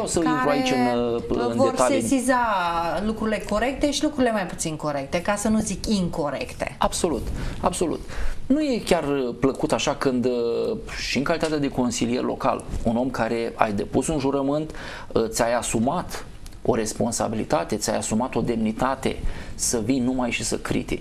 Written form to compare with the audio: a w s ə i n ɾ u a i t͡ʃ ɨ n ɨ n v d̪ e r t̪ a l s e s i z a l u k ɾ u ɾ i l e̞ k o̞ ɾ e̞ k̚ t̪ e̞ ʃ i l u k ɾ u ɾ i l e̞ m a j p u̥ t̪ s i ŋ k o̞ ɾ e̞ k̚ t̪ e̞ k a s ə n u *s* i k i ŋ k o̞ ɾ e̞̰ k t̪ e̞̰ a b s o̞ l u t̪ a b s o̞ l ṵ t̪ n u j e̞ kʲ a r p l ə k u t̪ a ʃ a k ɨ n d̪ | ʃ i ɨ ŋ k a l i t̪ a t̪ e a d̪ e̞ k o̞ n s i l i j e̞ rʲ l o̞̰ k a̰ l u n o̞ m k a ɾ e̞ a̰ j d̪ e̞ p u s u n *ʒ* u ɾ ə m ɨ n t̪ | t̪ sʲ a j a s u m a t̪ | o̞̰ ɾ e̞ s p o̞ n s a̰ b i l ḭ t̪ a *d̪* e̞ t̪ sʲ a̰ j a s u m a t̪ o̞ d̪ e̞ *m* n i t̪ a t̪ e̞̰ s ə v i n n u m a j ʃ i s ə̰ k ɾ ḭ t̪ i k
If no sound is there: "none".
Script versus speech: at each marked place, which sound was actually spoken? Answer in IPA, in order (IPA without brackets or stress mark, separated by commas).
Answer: z, ʒ, t̪, m